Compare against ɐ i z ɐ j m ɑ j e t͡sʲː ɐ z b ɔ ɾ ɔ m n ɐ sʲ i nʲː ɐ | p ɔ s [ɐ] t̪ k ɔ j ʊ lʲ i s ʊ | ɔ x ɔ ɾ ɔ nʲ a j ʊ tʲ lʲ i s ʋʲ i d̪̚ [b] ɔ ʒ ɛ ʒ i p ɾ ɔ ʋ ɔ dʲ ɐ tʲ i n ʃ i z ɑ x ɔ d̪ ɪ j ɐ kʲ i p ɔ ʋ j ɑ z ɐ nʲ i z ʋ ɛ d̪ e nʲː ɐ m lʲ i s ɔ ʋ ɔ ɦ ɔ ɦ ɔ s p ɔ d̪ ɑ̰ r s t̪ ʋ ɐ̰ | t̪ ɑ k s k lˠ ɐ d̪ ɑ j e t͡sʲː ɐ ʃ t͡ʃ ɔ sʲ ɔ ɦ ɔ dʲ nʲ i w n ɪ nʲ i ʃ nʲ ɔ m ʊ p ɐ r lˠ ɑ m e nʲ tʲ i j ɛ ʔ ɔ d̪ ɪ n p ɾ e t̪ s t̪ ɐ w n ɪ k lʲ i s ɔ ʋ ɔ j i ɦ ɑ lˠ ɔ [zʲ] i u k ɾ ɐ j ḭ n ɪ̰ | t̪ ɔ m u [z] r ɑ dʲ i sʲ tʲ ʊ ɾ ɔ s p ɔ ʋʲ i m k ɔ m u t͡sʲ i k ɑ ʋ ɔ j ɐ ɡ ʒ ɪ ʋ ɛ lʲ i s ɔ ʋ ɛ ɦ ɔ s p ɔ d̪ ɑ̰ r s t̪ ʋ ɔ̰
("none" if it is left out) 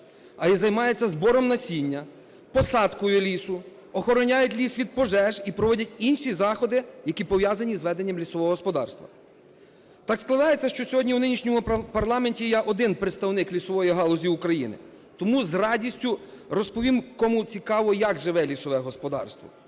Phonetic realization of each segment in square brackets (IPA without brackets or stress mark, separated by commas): ɑ, p, zʲ, z